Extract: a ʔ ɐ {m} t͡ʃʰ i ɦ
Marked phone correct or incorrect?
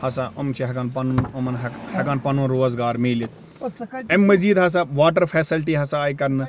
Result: correct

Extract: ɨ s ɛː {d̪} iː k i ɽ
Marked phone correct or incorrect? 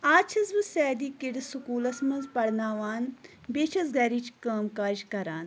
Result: correct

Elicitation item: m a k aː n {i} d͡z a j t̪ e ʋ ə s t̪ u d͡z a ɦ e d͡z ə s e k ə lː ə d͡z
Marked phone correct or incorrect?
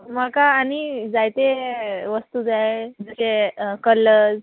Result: correct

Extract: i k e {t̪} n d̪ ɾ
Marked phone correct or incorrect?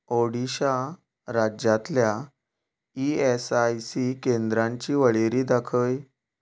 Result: incorrect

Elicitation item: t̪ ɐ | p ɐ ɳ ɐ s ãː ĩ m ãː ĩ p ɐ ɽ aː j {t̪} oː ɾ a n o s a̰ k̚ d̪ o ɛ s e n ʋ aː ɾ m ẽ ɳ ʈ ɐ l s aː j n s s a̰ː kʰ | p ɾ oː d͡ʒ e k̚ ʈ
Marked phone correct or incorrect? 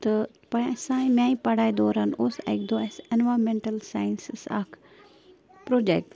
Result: incorrect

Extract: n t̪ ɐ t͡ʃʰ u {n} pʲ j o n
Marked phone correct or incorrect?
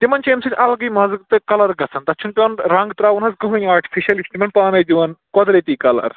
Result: correct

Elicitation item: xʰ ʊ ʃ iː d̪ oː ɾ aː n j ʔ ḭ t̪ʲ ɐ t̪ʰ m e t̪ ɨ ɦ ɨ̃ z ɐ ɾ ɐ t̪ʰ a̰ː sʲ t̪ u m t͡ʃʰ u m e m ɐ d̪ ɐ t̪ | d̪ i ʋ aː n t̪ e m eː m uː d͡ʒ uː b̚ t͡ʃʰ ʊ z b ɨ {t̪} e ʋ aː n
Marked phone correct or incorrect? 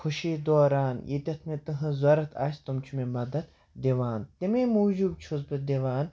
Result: incorrect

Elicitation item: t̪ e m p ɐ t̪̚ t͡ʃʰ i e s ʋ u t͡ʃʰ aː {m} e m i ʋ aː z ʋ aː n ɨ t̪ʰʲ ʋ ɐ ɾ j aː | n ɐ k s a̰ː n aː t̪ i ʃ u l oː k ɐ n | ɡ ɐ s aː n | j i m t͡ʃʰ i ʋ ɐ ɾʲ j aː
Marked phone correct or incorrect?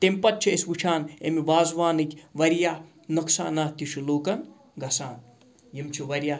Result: incorrect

